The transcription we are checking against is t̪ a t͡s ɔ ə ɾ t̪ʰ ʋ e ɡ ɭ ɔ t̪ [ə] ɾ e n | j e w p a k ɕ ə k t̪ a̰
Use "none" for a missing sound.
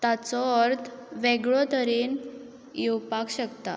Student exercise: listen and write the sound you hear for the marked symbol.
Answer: ə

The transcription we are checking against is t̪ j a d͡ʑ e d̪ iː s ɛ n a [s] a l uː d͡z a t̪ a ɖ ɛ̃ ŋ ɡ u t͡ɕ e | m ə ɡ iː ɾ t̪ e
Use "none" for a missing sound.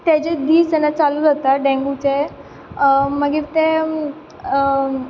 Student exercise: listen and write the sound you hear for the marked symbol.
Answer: t͡s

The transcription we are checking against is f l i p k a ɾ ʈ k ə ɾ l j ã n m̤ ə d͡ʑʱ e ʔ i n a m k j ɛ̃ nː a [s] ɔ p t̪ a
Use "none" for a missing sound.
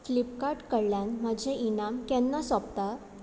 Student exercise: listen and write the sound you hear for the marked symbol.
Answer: s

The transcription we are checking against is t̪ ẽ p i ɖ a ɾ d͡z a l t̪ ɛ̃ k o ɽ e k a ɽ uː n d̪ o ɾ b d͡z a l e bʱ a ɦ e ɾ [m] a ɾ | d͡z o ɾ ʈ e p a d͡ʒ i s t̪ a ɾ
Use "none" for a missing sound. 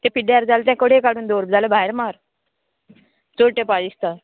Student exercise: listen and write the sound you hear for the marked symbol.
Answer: m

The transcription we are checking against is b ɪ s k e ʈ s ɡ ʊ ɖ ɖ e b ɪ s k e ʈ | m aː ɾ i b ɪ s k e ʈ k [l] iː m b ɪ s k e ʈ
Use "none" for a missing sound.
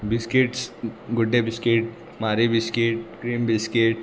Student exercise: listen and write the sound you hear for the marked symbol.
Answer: ɾ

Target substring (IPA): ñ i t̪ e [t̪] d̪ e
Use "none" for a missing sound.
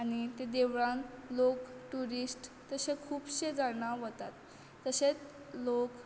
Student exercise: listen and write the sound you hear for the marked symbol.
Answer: none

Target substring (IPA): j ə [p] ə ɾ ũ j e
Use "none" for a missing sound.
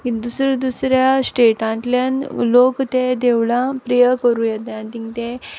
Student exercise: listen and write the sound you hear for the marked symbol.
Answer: k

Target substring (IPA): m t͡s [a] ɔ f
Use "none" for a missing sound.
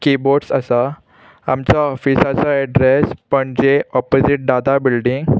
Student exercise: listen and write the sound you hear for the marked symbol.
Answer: a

